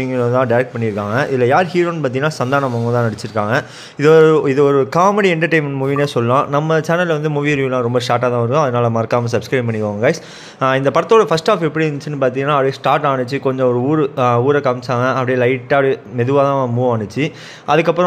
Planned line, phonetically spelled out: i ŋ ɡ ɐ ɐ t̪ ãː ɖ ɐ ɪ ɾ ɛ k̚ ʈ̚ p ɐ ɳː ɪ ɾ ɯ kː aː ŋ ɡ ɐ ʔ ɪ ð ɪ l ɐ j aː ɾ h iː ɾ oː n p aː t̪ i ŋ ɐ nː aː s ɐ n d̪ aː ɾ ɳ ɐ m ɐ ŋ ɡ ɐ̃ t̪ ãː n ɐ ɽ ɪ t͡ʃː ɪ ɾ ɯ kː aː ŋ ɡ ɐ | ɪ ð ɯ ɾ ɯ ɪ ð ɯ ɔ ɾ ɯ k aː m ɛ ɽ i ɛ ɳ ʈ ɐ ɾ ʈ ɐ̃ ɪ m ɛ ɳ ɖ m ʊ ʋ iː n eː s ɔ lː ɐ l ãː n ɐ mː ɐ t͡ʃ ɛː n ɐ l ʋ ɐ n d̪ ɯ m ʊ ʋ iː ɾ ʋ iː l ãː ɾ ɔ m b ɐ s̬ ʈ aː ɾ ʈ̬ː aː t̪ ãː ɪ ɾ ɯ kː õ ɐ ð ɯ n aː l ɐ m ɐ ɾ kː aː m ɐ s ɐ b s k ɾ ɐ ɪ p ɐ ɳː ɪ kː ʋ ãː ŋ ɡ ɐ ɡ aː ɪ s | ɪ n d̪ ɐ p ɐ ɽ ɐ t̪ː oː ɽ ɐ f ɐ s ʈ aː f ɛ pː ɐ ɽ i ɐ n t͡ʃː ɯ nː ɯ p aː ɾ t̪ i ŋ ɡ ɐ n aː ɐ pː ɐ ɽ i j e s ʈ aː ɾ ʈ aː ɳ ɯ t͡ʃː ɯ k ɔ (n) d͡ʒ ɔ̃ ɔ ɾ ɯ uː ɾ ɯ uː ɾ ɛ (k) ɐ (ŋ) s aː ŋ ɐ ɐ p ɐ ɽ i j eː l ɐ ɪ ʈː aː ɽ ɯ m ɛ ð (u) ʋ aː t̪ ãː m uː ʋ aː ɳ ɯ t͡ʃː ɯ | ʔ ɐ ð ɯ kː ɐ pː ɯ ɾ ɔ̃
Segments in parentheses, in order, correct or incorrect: incorrect: ɲ, correct, incorrect: m, incorrect: ɯ

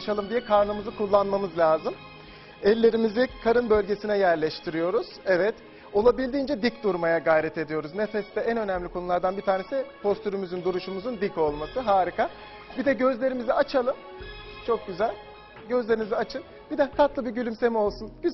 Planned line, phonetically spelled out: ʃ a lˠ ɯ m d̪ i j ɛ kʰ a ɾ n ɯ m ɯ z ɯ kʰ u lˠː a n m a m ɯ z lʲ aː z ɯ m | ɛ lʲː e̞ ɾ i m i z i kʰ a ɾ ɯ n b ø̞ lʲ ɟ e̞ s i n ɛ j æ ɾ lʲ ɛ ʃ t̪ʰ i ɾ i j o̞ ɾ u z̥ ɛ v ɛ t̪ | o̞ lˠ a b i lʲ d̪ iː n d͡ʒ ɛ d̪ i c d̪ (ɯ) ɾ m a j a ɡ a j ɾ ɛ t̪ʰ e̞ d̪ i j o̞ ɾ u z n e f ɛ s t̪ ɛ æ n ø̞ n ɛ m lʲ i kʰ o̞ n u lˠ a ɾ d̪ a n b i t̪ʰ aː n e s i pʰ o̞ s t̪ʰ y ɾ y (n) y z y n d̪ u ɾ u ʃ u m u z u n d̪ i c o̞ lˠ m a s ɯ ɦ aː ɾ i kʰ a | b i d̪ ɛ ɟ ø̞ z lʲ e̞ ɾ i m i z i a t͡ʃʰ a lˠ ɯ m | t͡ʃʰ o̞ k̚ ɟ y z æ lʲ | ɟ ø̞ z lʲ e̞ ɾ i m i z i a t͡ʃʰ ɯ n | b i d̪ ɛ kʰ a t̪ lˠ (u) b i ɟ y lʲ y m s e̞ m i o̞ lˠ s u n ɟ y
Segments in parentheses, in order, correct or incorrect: incorrect: u, incorrect: m, incorrect: ɯ

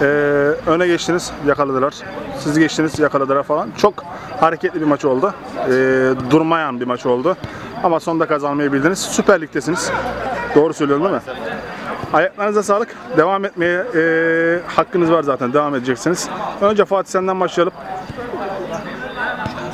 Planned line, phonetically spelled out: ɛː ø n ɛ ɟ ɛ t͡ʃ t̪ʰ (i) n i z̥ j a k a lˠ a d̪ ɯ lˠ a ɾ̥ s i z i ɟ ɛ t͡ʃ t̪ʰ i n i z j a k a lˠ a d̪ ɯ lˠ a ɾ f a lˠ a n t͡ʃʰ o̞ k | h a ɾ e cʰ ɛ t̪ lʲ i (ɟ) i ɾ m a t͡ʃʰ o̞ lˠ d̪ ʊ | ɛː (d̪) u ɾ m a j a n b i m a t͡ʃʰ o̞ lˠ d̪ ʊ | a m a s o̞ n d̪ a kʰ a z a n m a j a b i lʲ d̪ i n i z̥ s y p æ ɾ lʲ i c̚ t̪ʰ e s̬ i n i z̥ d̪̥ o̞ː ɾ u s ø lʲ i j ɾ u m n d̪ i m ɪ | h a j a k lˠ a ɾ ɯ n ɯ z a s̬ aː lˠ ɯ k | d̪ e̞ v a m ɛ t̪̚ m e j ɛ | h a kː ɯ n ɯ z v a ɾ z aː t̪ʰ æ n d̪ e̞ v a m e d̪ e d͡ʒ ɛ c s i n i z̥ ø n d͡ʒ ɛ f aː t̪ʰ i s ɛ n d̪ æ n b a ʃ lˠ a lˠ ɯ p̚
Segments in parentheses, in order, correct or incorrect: correct, incorrect: b, correct

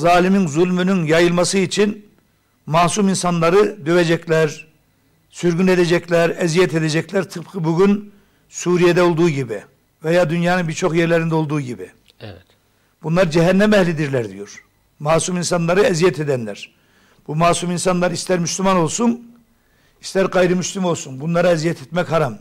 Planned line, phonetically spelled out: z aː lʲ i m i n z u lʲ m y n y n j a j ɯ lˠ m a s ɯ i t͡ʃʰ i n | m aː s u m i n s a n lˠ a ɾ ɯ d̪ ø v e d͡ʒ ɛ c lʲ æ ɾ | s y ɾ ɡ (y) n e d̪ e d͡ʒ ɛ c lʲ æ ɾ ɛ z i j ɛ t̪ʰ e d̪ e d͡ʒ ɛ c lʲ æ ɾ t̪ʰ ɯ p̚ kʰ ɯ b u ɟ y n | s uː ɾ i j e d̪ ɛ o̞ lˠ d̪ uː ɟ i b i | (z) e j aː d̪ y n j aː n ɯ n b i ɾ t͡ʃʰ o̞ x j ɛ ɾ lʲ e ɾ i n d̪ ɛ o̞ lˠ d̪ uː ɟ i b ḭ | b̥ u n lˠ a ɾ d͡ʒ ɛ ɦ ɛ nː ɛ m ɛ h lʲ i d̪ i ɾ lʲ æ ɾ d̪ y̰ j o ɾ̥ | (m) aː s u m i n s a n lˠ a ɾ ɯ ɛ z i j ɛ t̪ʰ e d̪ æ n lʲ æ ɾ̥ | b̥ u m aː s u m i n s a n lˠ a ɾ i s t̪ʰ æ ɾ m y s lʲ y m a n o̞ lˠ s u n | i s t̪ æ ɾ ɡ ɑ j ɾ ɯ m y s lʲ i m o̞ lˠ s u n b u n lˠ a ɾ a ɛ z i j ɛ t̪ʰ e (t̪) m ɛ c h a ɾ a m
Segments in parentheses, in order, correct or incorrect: correct, incorrect: v, correct, correct

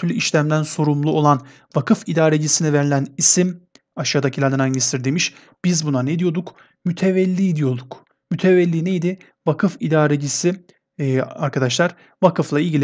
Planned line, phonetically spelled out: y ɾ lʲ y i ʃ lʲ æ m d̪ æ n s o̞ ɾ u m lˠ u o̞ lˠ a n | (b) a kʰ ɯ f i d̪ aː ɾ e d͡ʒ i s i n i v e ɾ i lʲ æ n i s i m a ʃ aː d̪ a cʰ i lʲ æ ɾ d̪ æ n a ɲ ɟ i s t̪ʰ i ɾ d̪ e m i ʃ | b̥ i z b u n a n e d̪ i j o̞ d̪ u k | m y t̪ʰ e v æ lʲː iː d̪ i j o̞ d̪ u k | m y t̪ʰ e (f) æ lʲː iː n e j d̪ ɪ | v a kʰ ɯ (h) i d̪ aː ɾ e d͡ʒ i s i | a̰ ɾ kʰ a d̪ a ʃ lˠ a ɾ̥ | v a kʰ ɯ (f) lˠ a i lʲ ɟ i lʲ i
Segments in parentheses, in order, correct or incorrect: incorrect: v, incorrect: v, incorrect: f, correct

